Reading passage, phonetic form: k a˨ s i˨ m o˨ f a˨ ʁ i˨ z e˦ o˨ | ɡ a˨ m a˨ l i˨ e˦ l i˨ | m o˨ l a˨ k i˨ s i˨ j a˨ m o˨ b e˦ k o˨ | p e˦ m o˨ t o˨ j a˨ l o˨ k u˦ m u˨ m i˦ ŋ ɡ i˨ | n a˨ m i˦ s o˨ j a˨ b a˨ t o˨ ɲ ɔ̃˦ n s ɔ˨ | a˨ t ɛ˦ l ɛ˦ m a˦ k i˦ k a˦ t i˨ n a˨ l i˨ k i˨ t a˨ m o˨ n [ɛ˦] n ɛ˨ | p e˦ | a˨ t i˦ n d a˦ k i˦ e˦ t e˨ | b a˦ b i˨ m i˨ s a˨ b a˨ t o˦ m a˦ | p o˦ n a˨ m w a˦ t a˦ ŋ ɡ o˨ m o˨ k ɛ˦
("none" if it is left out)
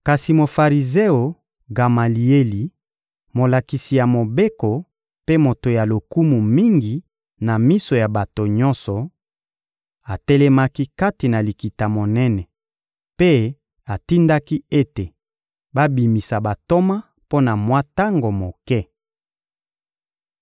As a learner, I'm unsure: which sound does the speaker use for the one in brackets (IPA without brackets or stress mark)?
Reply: ɛ˦